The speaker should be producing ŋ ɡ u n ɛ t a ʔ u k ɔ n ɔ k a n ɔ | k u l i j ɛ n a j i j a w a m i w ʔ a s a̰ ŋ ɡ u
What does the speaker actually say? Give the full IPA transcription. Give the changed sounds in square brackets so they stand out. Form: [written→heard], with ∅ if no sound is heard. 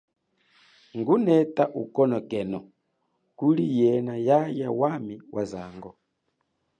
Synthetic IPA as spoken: ŋ ɡ u n ɛ t a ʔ u k ɔ n ɔ k [a→ɛ] n ɔ | k u l i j ɛ n a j [i→a] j a w a m i w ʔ a [s→z] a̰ ŋ ɡ [u→ɔ]